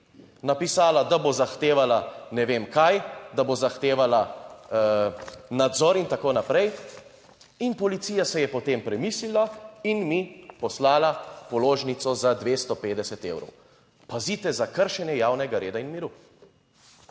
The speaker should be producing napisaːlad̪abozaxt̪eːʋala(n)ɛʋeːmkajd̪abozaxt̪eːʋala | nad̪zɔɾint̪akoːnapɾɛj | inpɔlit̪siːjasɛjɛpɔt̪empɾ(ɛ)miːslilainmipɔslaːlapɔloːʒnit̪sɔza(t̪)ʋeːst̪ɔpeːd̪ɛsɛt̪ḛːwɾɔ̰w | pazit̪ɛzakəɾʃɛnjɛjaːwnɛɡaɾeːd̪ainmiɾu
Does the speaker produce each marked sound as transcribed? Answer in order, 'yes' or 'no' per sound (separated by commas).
yes, yes, no